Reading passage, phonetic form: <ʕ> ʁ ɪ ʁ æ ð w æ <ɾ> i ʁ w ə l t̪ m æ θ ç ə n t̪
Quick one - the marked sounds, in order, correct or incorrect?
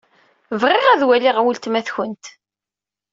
incorrect: v, incorrect: l

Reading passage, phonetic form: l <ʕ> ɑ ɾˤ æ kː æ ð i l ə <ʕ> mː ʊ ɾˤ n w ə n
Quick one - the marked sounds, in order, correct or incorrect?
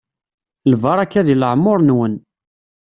incorrect: v, correct

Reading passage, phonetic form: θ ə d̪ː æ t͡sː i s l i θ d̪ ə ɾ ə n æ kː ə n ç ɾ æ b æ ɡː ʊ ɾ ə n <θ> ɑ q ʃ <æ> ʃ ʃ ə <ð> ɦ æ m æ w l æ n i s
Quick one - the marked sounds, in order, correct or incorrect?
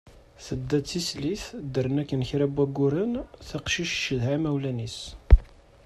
correct, incorrect: i, correct

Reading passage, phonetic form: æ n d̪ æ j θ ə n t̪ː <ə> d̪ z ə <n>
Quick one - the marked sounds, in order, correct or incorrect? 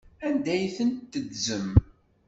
correct, incorrect: m

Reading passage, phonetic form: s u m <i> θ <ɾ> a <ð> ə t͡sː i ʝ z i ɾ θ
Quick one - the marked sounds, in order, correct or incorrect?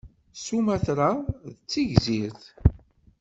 incorrect: æ, correct, correct

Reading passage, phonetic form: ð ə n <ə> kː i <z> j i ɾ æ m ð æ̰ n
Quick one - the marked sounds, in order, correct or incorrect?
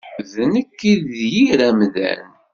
correct, incorrect: ð

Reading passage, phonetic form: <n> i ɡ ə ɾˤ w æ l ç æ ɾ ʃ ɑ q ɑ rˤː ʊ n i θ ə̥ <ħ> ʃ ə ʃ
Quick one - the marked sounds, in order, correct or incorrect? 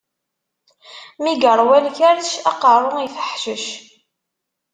incorrect: m, correct

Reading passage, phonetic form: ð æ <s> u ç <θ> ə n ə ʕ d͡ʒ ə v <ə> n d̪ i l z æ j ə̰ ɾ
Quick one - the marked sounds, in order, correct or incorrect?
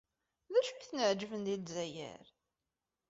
incorrect: ʃ, correct, correct

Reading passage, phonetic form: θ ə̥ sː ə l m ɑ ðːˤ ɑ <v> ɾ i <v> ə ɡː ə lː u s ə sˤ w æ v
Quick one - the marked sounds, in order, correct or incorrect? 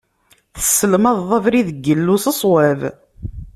correct, incorrect: ð

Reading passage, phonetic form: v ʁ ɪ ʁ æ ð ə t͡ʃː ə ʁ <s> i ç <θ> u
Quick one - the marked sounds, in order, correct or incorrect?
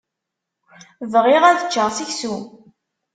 correct, incorrect: s

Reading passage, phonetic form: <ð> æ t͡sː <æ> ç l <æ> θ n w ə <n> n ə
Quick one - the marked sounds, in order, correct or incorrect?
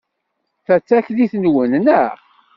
incorrect: θ, correct, incorrect: i, correct

